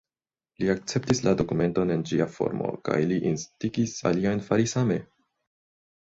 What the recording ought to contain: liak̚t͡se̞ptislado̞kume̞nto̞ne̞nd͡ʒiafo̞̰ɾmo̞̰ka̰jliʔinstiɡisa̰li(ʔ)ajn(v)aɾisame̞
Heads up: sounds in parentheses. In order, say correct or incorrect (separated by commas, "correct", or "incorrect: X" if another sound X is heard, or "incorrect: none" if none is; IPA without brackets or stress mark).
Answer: incorrect: none, incorrect: f